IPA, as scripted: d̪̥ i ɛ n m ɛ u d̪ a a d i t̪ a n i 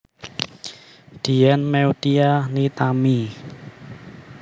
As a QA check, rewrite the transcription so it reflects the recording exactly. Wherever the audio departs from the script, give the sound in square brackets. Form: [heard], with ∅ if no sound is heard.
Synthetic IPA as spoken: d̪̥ i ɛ n m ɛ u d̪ [i] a [n] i t̪ a [m] i